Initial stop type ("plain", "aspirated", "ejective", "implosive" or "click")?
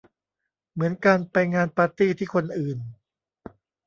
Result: plain